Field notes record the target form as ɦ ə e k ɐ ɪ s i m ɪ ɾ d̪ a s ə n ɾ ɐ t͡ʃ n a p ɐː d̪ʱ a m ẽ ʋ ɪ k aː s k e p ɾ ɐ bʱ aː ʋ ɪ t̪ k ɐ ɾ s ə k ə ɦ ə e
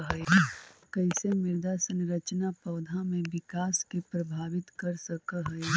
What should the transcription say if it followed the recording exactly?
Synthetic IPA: ɦ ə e k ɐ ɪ s e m ɪ ɾ d̪ a s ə n ɾ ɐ t͡ʃ n a p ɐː d̪ʱ a m ẽ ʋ ɪ k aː s k e p ɾ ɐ bʱ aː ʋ ɪ t̪ k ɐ ɾ s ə k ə ɦ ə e